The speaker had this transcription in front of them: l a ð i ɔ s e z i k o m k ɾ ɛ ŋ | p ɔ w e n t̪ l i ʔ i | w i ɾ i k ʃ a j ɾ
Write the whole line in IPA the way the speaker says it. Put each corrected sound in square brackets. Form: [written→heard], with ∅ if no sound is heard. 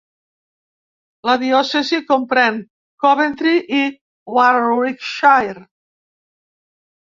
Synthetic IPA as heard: l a ð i ɔ s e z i k o m [k→p] ɾ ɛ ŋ | [p→k] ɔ [w→β] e n t̪ [l→ɾ] i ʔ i | w [i→a] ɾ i k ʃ a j ɾ